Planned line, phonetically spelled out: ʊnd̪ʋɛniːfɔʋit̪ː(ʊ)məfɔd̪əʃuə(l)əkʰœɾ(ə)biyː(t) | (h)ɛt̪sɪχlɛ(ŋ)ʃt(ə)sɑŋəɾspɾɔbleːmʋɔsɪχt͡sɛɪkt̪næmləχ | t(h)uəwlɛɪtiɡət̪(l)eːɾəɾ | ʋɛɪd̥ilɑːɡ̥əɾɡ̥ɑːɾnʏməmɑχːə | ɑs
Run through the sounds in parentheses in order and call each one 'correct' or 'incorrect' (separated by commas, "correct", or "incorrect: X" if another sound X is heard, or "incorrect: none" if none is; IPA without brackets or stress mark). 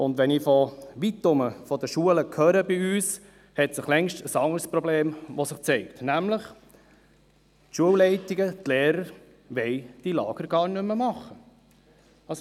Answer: correct, correct, correct, incorrect: s, correct, correct, correct, incorrect: ʃ, correct